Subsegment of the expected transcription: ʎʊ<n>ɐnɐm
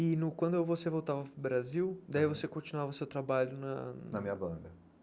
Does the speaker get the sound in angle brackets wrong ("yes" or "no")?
no